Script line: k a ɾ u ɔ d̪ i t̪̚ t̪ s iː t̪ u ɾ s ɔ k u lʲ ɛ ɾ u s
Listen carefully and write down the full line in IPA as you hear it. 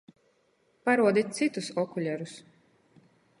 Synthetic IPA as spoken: p a ɾ u ɔ d̪ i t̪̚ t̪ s i t̪ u s ɔ k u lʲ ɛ ɾ u s